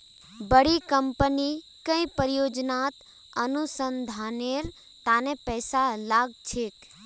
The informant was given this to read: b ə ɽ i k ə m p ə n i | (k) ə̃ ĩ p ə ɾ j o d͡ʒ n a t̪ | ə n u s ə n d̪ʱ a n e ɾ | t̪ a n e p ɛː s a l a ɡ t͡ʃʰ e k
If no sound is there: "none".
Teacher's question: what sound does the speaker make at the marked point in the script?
k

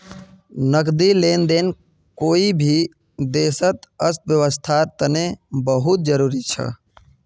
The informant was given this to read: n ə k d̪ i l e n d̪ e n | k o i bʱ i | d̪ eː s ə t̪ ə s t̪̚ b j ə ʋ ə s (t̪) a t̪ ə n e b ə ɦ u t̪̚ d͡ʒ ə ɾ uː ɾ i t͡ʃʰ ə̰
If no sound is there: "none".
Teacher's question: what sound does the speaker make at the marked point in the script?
t̪ʰ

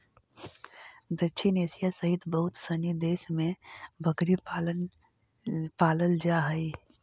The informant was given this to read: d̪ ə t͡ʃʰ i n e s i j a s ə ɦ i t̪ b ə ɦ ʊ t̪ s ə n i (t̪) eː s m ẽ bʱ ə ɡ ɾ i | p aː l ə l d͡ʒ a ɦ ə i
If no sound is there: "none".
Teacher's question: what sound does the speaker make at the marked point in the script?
d̪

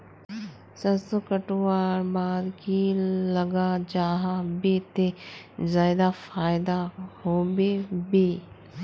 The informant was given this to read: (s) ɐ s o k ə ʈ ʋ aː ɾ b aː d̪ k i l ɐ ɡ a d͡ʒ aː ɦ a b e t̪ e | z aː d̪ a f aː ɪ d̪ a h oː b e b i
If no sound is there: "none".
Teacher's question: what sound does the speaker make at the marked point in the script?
s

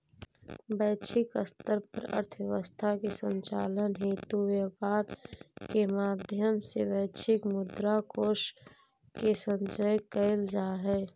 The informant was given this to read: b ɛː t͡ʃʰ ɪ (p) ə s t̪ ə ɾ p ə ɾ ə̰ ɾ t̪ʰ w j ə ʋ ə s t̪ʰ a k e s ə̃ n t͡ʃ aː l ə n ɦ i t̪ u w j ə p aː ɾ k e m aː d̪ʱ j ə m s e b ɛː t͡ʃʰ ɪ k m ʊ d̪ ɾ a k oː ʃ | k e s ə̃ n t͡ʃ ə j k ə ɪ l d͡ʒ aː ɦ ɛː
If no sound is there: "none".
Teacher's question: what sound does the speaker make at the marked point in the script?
k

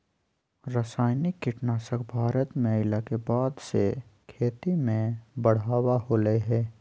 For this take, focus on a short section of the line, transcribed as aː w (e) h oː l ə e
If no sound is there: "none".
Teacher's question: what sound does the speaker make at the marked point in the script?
a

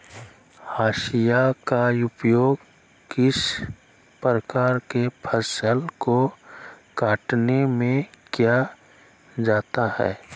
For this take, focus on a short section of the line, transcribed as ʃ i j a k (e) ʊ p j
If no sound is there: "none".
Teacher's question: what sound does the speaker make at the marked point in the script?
a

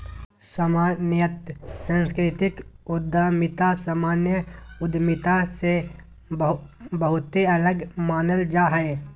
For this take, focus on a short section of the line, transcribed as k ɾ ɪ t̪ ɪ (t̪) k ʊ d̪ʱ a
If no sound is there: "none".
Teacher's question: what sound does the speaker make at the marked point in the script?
none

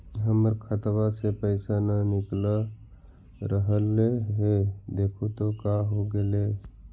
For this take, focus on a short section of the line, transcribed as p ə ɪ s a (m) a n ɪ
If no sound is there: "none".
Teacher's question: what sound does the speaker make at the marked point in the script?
n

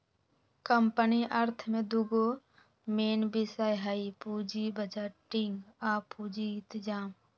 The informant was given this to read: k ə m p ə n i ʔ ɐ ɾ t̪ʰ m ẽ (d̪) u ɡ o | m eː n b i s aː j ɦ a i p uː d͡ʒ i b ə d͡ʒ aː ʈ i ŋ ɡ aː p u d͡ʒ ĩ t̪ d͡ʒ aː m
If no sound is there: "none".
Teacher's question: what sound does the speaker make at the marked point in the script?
d̪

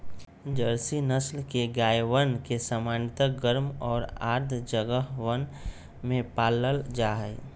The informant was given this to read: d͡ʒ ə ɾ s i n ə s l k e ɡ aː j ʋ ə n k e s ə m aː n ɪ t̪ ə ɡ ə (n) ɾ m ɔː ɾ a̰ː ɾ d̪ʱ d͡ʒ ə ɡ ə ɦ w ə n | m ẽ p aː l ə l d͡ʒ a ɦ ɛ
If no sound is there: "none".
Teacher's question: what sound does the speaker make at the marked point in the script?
none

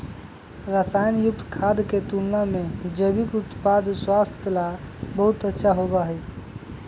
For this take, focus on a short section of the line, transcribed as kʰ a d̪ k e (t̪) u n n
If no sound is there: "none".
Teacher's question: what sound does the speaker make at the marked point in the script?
t̪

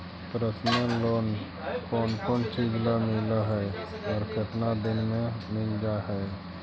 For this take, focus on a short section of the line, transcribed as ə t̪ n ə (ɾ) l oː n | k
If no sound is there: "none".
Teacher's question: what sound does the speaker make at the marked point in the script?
none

